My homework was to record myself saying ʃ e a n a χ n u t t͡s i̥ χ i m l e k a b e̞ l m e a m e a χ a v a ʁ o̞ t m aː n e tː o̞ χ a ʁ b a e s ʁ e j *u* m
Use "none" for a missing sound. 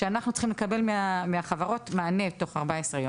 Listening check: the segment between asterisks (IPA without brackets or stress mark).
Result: o